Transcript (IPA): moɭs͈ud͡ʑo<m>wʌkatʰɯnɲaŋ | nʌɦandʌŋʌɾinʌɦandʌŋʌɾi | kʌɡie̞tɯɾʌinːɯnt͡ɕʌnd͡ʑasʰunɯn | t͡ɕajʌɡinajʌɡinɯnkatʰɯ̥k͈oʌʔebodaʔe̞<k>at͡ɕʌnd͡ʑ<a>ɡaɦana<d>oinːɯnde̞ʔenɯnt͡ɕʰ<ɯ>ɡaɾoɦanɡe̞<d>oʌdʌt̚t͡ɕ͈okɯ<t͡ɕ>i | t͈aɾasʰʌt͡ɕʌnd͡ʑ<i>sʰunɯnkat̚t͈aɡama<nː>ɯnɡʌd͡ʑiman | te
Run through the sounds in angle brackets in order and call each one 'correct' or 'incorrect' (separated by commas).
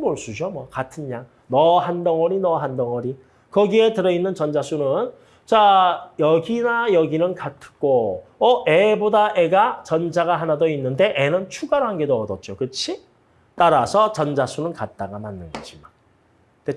correct, incorrect, correct, correct, incorrect, correct, incorrect, incorrect, correct